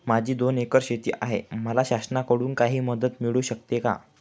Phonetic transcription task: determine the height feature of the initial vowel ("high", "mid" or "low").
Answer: low